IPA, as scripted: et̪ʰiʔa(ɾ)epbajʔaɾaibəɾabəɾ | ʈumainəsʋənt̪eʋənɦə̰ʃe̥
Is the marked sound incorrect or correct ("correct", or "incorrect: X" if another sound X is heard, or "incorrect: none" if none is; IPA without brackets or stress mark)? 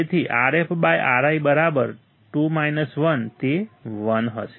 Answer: correct